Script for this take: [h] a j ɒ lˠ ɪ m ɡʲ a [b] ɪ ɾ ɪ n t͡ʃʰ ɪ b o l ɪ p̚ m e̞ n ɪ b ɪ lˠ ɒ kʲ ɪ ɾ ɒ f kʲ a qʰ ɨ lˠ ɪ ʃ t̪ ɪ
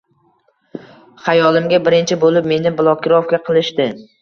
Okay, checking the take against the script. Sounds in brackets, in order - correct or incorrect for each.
incorrect: χ, correct

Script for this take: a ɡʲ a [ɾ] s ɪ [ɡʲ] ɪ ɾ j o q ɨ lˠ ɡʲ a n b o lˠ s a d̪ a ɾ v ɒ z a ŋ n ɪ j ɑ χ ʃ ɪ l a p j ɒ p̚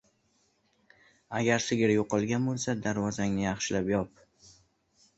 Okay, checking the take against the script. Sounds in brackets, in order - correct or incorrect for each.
correct, correct

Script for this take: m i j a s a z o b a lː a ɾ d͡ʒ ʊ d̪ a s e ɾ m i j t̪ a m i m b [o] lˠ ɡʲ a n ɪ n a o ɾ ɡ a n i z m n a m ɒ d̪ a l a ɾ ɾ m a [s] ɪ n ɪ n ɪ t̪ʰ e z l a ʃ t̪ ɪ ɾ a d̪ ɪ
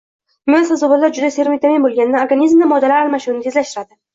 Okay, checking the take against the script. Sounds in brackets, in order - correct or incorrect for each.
correct, incorrect: ʃ

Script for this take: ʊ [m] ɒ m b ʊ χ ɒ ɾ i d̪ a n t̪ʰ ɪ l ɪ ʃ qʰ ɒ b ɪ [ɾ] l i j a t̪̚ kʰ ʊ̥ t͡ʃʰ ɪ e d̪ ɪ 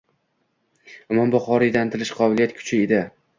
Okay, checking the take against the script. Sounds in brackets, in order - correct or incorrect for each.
correct, incorrect: none

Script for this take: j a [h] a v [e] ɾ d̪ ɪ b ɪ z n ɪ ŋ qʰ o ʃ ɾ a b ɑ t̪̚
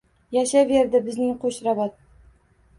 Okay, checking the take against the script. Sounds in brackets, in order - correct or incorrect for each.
incorrect: ʃ, correct

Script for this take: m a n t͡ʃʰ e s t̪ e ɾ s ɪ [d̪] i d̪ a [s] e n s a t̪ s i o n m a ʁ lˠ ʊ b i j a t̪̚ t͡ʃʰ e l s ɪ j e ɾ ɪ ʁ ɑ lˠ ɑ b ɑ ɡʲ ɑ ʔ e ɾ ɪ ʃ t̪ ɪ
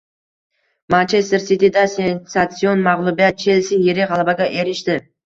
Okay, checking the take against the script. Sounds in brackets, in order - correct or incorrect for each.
incorrect: t̪, correct

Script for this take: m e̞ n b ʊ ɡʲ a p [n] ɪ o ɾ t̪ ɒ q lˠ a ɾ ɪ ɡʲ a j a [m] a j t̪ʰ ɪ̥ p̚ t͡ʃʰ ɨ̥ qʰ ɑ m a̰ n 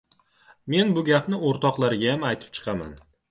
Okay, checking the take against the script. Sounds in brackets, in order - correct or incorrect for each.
correct, correct

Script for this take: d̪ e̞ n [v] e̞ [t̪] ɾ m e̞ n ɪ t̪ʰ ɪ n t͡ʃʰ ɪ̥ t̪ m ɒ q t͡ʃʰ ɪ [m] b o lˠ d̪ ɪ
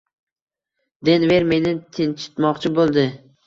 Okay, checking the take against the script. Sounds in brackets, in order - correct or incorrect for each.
correct, incorrect: none, incorrect: none

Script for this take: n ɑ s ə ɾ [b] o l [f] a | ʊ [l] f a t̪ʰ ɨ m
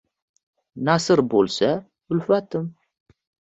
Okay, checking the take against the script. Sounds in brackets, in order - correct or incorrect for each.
correct, incorrect: s, correct

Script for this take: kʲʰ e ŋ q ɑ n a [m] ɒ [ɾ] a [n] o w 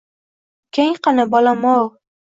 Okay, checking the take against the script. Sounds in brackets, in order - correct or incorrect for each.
incorrect: b, incorrect: l, incorrect: m

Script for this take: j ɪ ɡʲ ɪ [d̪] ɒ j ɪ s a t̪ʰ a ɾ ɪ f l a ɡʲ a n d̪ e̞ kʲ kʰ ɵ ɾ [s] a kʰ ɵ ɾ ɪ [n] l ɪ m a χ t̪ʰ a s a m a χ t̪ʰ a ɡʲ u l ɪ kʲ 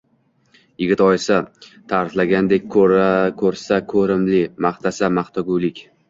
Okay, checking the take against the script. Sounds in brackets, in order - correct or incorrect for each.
incorrect: t̪, correct, incorrect: m

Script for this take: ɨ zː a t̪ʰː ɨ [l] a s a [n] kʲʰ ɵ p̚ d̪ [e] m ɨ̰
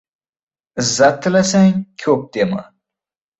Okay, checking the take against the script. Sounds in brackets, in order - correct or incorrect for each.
correct, incorrect: ŋ, correct

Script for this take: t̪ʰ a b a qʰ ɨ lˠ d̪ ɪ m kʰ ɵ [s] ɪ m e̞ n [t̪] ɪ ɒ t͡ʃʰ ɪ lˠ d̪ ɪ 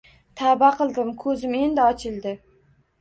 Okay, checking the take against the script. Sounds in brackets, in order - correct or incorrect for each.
incorrect: z, incorrect: d̪

